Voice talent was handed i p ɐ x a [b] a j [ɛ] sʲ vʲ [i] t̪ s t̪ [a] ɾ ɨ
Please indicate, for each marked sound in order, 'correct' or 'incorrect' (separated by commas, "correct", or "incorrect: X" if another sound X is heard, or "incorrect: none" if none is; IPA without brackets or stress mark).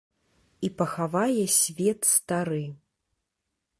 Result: incorrect: v, correct, incorrect: ɛ, correct